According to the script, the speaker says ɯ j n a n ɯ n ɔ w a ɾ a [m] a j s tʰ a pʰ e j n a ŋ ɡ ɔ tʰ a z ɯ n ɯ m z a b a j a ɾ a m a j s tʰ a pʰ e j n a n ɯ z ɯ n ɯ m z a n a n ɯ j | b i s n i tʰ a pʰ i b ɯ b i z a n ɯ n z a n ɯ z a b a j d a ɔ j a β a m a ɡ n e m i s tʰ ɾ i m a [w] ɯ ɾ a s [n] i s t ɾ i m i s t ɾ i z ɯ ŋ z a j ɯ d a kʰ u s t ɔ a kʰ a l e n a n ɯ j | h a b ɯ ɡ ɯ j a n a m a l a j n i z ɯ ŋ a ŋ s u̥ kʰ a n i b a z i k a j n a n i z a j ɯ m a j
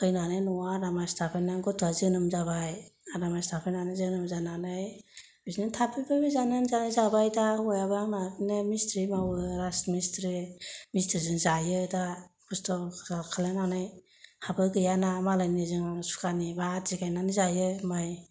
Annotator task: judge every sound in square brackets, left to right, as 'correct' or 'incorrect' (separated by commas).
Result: correct, correct, incorrect